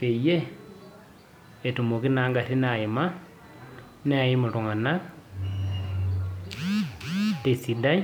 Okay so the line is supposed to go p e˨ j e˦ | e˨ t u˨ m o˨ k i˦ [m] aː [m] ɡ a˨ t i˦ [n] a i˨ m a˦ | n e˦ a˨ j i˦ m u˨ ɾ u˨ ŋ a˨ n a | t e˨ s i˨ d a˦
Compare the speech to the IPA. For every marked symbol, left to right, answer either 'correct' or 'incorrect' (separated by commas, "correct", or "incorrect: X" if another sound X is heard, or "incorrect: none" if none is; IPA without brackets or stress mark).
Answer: incorrect: n, incorrect: ŋ, correct